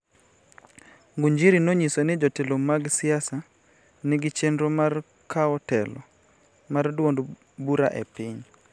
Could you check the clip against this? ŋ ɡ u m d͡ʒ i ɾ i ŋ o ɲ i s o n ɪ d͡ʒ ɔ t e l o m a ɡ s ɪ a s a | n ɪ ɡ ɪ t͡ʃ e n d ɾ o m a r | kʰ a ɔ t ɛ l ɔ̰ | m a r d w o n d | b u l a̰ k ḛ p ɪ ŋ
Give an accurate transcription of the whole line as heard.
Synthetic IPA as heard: ŋ ɡ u ɲ d͡ʒ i ɾ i n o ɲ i s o n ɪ d͡ʒ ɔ t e l o m a ɡ s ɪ a s a | n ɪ ɡ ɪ t͡ʃ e n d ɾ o m a r | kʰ a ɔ t ɛ l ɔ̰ | m a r d w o n d | b u ɾ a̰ ʔ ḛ p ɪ ɲ